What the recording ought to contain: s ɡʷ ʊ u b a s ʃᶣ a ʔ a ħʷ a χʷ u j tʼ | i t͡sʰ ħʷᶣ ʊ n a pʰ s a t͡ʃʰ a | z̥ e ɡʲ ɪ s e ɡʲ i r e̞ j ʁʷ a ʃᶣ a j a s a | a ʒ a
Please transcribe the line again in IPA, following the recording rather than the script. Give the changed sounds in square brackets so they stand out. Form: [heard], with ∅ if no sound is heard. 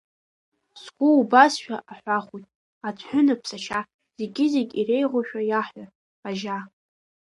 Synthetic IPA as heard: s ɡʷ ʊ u b a s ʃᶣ a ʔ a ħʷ a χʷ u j tʼ | [a] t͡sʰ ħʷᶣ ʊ n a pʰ s a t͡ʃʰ a | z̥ e ɡʲ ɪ [z] e ɡʲ i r e̞ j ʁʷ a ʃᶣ a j a [ħ] a | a ʒ a